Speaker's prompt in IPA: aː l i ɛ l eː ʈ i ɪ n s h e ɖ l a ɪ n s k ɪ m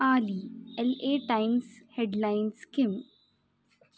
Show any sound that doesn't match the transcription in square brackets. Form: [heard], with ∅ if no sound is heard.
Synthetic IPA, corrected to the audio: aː l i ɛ l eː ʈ [a] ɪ [m] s h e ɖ l a ɪ n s k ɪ m

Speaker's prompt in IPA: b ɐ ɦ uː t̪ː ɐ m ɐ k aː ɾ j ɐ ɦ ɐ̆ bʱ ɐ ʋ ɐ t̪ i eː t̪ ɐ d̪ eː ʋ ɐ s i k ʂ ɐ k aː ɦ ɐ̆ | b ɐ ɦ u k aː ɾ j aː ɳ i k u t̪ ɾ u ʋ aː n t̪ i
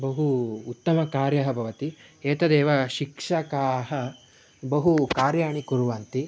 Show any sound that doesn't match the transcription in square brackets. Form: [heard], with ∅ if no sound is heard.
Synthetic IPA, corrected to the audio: b ɐ ɦ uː t̪ː ɐ m ɐ k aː ɾ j ɐ ɦ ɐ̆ bʱ ɐ ʋ ɐ t̪ i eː t̪ ɐ d̪ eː ʋ ɐ [ʃ] i k ʂ ɐ k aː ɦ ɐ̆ | b ɐ ɦ u k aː ɾ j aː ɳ i k u [∅] ɾ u ʋ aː n t̪ i

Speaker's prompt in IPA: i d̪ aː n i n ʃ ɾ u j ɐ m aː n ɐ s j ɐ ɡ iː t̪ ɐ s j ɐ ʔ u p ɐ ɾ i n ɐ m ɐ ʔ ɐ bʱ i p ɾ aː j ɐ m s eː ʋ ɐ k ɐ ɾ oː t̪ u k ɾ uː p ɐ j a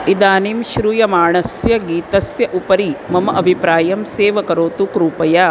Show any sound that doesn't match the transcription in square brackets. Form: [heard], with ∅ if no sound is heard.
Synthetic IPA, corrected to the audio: i d̪ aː n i [m] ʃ ɾ u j ɐ m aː [ɳ] ɐ s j ɐ ɡ iː t̪ ɐ s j ɐ ʔ u p ɐ ɾ i [m] ɐ m ɐ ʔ ɐ bʱ i p ɾ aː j ɐ m s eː ʋ ɐ k ɐ ɾ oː t̪ u k ɾ uː p ɐ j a

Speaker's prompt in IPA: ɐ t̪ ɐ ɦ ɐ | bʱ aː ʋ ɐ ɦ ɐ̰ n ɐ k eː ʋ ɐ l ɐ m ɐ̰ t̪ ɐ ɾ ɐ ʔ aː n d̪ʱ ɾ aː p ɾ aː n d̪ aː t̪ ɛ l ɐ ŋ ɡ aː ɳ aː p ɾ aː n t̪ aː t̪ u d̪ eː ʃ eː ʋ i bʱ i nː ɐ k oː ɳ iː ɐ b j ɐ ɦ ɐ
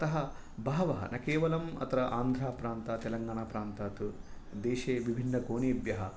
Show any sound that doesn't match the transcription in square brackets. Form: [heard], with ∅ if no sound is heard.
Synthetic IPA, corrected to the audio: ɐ t̪ ɐ ɦ ɐ | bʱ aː ʋ ɐ ɦ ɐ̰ n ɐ k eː ʋ ɐ l ɐ m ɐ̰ t̪ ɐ ɾ ɐ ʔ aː n d̪ʱ ɾ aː p ɾ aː n [t̪] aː t̪ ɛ l ɐ ŋ ɡ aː ɳ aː p ɾ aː n t̪ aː t̪ u d̪ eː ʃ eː ʋ i bʱ i nː ɐ k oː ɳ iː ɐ b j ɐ ɦ ɐ

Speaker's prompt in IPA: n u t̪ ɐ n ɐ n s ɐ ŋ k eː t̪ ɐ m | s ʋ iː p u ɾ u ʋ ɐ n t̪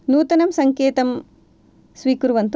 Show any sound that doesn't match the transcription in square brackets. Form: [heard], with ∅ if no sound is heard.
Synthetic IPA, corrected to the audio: n [uː] t̪ ɐ n ɐ [m] s ɐ ŋ k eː t̪ ɐ m | s ʋ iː [k] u ɾ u ʋ ɐ n t̪

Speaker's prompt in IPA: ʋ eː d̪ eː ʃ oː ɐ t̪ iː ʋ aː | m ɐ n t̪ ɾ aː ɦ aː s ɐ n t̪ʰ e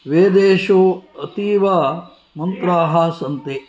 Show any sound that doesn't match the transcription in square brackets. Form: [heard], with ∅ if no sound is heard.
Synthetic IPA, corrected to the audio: ʋ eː d̪ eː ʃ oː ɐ t̪ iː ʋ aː | m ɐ n t̪ ɾ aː ɦ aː s ɐ n [t̪] e

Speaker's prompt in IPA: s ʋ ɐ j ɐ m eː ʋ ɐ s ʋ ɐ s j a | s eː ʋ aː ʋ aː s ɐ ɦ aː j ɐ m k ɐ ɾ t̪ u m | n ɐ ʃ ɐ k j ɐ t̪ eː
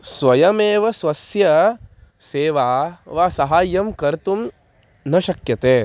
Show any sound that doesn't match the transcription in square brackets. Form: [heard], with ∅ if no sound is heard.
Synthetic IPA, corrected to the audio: s ʋ ɐ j ɐ m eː ʋ ɐ s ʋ ɐ s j [ɐ] | s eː ʋ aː ʋ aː s ɐ ɦ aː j ɐ m k ɐ ɾ t̪ u m | n ɐ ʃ ɐ k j ɐ t̪ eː

